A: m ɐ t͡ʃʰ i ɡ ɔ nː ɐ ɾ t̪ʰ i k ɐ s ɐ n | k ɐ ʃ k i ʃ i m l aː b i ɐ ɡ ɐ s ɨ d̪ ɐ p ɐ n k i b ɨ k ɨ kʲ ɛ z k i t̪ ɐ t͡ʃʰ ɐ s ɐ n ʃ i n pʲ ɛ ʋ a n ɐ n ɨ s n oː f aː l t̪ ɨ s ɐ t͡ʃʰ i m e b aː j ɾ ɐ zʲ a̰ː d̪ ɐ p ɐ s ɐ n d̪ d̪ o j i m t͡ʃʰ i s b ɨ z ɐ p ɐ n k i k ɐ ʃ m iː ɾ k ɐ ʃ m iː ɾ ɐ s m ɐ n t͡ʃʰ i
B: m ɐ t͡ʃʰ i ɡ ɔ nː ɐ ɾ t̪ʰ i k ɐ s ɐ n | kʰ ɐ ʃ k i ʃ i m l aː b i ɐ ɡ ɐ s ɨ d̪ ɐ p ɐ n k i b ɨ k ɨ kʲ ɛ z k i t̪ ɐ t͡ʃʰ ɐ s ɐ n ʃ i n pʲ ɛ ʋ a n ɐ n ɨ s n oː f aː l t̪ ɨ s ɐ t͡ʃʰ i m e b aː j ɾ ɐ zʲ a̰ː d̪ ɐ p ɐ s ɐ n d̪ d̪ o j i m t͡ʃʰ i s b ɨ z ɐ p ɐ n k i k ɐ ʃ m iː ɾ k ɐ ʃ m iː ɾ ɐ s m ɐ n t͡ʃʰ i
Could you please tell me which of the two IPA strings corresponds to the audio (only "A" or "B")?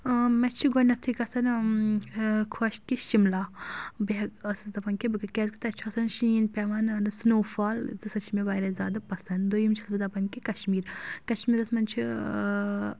B